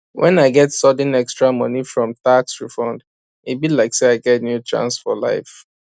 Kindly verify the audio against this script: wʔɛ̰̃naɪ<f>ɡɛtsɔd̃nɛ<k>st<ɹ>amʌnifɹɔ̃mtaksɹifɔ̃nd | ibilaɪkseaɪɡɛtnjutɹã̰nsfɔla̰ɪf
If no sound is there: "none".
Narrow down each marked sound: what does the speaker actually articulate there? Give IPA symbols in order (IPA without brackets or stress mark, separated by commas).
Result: none, k, ɹ